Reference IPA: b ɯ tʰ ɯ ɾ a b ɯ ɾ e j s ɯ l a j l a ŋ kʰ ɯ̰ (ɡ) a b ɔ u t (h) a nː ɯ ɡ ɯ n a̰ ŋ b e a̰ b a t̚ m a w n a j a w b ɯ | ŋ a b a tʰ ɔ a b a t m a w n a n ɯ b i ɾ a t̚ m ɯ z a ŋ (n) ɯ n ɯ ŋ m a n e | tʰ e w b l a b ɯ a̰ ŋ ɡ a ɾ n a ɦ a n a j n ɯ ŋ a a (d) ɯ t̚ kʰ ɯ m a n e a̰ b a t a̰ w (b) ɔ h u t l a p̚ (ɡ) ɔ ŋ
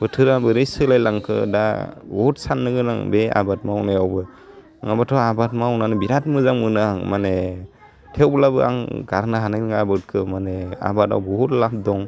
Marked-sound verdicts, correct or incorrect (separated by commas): incorrect, incorrect, incorrect, incorrect, correct, incorrect